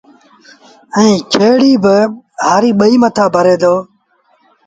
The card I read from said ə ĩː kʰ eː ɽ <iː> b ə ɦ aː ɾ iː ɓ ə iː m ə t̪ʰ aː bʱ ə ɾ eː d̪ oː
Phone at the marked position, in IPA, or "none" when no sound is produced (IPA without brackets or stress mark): iː